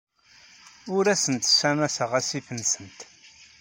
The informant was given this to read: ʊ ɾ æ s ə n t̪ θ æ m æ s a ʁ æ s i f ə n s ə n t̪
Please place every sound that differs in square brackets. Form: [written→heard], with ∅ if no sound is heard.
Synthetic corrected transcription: ʊ ɾ æ s ə n t̪ [θ→s] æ m æ s [a→ə] ʁ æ s i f ə n s ə n t̪